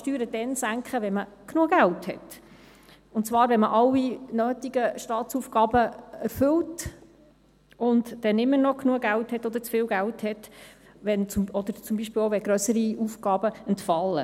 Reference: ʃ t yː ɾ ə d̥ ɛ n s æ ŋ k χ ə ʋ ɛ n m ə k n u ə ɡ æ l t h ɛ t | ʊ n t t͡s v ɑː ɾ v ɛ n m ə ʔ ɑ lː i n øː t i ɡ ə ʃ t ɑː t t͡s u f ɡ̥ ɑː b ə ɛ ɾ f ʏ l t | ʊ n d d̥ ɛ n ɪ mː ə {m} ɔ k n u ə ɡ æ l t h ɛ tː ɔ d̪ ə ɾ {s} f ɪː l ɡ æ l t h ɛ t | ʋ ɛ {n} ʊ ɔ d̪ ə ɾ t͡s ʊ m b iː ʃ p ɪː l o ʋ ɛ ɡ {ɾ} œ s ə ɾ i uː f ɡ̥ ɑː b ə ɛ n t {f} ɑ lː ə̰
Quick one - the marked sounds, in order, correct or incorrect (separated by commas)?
incorrect, incorrect, correct, correct, correct